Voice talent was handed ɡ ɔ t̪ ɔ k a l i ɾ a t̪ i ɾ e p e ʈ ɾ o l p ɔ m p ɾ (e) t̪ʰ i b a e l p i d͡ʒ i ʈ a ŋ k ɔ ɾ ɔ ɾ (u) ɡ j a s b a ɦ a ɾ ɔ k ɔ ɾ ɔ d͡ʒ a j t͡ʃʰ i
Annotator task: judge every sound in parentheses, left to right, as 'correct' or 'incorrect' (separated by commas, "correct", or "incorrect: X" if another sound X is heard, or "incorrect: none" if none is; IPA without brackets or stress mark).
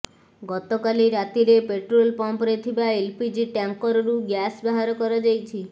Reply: correct, correct